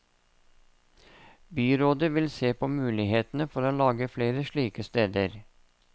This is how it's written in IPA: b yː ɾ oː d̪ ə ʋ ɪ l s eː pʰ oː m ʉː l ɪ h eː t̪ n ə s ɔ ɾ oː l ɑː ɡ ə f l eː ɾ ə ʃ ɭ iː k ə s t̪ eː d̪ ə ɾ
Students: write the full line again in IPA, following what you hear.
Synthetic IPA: b yː ɾ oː d̪ ə ʋ ɪ l s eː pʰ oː m ʉː l ɪ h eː t̪ n ə f ɔ ɾ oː l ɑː ɡ ə f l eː ɾ ə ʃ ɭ iː k ə s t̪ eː d̪ ə ɾ